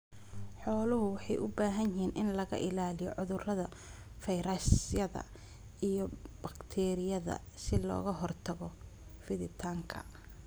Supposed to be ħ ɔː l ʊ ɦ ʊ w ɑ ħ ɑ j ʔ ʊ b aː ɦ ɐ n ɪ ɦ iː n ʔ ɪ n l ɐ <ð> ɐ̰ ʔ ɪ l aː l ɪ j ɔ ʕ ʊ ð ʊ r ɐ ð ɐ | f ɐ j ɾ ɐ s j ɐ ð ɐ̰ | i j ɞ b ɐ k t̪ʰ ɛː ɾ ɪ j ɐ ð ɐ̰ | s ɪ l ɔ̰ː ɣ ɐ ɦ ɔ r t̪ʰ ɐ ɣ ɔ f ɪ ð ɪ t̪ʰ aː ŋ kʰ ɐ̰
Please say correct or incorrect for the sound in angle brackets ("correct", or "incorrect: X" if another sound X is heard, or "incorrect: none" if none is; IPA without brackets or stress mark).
incorrect: ɣ